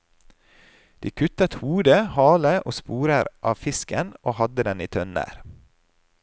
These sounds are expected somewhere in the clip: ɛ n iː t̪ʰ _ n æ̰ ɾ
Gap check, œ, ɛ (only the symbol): œ